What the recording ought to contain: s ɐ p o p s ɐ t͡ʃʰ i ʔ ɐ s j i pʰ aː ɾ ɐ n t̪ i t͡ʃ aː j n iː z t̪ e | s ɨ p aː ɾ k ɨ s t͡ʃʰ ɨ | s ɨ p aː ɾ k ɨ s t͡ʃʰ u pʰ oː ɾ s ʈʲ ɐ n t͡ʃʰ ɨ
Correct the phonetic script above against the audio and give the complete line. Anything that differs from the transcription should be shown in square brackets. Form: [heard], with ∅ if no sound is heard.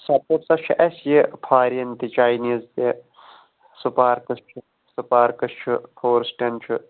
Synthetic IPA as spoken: s ɐ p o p s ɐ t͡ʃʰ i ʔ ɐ s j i pʰ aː ɾ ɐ n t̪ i t͡ʃ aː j n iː z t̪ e | s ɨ p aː ɾ k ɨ s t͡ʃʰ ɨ | s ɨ p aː ɾ k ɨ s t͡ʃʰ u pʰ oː ɾ s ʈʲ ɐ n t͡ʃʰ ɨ